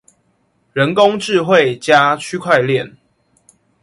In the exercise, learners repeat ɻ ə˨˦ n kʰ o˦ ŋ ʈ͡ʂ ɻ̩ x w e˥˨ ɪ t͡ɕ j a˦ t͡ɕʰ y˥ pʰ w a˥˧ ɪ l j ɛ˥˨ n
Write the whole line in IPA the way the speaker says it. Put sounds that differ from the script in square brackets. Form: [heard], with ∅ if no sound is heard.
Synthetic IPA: ɻ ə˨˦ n [k] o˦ ŋ ʈ͡ʂ ɻ̩ x w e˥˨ ɪ t͡ɕ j a˦ t͡ɕʰ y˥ [kʰ] w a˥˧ ɪ l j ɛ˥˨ n